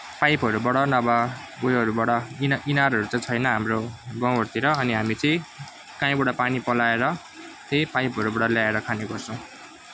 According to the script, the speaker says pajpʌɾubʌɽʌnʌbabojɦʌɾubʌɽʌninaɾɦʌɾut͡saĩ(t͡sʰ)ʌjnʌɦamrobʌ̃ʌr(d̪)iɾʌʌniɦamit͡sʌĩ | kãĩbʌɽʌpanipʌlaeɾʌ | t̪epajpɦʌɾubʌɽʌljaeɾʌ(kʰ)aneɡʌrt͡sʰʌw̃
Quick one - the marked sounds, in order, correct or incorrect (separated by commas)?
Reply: correct, incorrect, correct